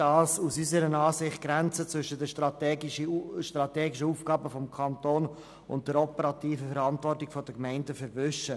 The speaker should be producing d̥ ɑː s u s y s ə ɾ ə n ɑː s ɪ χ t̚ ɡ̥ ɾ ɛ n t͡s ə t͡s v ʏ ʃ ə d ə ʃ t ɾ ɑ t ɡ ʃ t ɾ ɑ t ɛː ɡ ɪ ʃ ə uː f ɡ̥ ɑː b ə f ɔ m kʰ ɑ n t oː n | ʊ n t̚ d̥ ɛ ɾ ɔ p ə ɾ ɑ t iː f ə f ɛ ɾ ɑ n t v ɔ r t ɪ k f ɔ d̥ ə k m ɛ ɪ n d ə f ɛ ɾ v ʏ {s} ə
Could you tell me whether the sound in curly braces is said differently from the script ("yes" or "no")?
yes